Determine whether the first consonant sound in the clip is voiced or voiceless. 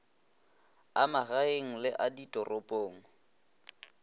voiced